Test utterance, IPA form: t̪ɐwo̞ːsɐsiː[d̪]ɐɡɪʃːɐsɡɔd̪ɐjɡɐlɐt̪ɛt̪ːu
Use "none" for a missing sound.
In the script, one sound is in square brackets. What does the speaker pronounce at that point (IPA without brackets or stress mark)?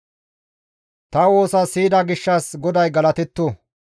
d̪